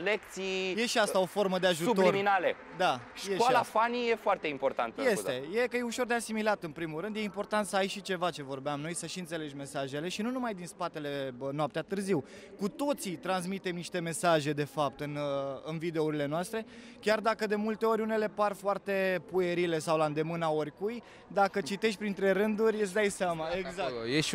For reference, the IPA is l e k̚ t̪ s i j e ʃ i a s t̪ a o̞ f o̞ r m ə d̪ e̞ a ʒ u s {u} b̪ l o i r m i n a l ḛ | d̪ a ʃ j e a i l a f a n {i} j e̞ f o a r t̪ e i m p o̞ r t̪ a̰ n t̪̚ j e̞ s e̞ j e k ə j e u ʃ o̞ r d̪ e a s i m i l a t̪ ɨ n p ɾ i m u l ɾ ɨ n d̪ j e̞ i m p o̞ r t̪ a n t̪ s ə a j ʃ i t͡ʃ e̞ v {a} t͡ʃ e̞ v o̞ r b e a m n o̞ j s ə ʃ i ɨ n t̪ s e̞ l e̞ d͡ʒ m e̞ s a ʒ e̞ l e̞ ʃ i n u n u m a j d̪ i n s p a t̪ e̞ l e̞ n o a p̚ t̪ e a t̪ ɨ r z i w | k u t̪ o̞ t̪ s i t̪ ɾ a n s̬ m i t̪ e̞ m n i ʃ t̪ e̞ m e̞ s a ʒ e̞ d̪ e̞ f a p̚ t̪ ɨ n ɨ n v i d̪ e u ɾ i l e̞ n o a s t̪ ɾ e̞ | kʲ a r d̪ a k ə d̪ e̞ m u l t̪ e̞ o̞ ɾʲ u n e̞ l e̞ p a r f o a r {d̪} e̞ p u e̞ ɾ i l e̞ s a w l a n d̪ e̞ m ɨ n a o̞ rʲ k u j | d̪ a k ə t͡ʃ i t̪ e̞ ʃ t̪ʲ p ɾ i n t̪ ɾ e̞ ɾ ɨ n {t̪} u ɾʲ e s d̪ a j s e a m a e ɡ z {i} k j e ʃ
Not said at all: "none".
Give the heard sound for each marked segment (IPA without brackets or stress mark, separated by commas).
u, i, a, t̪, d̪, a